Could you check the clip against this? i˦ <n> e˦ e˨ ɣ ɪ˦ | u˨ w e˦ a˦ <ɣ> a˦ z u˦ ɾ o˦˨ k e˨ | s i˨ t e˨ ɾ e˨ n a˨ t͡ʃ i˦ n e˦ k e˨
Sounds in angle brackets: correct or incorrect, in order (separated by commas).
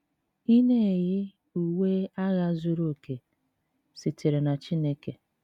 correct, correct